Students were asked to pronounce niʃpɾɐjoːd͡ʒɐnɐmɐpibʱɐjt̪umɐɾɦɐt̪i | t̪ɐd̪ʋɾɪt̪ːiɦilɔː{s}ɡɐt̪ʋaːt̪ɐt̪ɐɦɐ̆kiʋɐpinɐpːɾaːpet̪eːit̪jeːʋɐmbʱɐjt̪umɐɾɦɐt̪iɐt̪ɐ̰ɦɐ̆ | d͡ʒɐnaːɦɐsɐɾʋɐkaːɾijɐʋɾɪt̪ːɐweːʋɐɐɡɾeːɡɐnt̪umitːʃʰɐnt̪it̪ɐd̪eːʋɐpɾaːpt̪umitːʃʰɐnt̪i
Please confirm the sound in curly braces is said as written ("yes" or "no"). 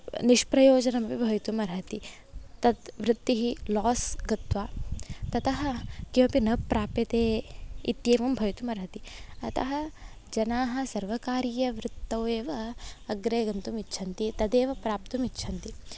yes